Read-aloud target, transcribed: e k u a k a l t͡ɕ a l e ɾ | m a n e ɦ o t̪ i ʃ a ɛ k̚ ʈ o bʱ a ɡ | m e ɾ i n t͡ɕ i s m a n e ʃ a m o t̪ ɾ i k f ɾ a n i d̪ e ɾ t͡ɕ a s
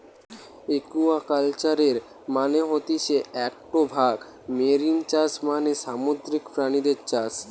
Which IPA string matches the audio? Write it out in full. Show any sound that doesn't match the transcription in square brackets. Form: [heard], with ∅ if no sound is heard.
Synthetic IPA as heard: e k u a k a l t͡ɕ a [ɾ] e ɾ | m a n e ɦ o t̪ i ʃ [e] ɛ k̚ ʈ o bʱ a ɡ | m e ɾ i n t͡ɕ [a] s m a n e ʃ a m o [d̪] ɾ i k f ɾ a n i d̪ e ɾ t͡ɕ a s